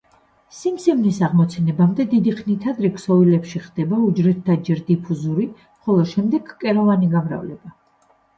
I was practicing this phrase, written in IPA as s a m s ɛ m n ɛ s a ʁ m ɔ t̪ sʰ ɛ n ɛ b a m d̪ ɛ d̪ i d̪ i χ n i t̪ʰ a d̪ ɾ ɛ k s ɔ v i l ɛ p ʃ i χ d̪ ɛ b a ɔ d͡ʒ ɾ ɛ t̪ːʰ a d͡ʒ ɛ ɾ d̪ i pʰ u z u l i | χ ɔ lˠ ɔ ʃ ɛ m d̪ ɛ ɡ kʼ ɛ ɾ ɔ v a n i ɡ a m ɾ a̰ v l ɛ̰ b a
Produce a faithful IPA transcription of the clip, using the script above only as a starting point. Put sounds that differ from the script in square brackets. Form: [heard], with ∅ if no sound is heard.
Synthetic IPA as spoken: s [i] m s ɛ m n [i] s a ʁ m ɔ t̪ sʰ ɛ n ɛ b a m d̪ ɛ d̪ i d̪ i χ n i t̪ʰ a d̪ ɾ ɛ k s ɔ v i l ɛ p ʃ i χ d̪ ɛ b a [u] d͡ʒ ɾ ɛ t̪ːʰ a d͡ʒ ɛ ɾ d̪ i pʰ u z u [ɾ] i | χ ɔ lˠ ɔ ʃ ɛ m d̪ ɛ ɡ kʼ ɛ ɾ ɔ v a n i ɡ a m ɾ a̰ v l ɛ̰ b a

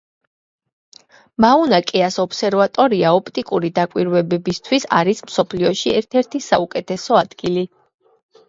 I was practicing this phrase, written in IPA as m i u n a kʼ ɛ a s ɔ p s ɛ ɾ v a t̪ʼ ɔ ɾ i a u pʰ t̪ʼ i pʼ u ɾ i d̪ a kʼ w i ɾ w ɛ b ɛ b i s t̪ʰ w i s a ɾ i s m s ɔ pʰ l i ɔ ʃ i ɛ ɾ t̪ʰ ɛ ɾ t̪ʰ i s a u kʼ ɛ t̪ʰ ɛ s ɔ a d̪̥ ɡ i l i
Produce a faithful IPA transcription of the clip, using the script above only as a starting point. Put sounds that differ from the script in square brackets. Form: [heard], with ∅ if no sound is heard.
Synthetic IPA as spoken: m [a] u n a kʼ ɛ a s ɔ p s ɛ ɾ v a t̪ʼ ɔ ɾ i a [ɔ] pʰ t̪ʼ i [kʼ] u ɾ i d̪ a kʼ w i ɾ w ɛ b ɛ b i s t̪ʰ w i s a ɾ i s m s ɔ pʰ l i ɔ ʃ i ɛ ɾ t̪ʰ ɛ ɾ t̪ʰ i s a u kʼ ɛ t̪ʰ ɛ s ɔ a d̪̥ ɡ i l i

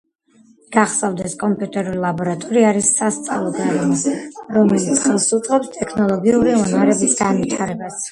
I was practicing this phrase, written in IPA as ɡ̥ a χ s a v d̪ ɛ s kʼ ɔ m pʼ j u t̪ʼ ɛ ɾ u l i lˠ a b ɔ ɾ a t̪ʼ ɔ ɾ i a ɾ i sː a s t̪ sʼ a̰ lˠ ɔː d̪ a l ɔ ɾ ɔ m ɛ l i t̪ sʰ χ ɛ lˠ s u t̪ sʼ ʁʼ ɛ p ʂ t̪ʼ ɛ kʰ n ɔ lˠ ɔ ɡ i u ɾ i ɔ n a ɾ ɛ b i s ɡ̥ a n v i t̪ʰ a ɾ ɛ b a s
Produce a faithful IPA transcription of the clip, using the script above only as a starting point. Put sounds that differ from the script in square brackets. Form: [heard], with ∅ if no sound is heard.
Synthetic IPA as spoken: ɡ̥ a χ s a v d̪ ɛ s kʼ ɔ m pʼ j u t̪ʼ ɛ ɾ u l i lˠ a b ɔ ɾ a t̪ʼ ɔ ɾ i a ɾ i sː a s t̪ sʼ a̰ lˠ [ɔ] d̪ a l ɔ ɾ ɔ m ɛ l i t̪ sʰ χ ɛ lˠ s u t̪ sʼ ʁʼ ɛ p [s] t̪ʼ ɛ kʰ n ɔ lˠ ɔ ɡ i u ɾ i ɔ n a ɾ ɛ b i s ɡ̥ a n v i t̪ʰ a ɾ ɛ b a s

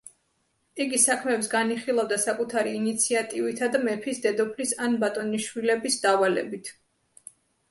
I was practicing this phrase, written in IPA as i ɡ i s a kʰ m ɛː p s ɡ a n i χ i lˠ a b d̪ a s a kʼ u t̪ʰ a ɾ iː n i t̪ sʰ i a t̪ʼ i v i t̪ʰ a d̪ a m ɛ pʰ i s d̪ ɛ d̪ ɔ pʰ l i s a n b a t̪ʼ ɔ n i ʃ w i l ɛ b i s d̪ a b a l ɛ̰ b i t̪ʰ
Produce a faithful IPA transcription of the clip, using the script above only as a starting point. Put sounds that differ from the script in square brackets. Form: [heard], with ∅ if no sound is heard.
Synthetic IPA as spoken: i ɡ i s a kʰ m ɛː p s ɡ a n i χ i lˠ a [v] d̪ a s a kʼ u t̪ʰ a ɾ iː n i t̪ sʰ i a t̪ʼ i v i t̪ʰ a d̪ a m ɛ pʰ i s d̪ ɛ d̪ ɔ pʰ l i s a n b a t̪ʼ ɔ n i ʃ w i l ɛ b i s d̪ a [v] a l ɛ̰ b i t̪ʰ

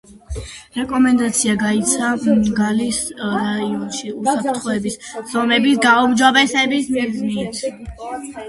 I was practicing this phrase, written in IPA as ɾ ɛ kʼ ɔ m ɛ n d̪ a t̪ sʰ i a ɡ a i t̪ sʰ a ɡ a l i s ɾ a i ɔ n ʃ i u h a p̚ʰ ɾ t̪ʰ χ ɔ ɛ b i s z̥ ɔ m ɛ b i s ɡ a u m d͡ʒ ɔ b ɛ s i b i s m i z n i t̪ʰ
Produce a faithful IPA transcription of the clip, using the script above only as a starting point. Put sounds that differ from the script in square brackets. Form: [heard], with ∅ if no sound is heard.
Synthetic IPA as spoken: ɾ ɛ kʼ ɔ m ɛ n d̪ a t̪ sʰ i a ɡ a i t̪ sʰ a ɡ a l i s ɾ a i ɔ n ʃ i u [s] a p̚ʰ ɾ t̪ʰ χ ɔ ɛ b i s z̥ ɔ m ɛ b i s ɡ a u m d͡ʒ ɔ b ɛ s [ɛ] b i s m i z n i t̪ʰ

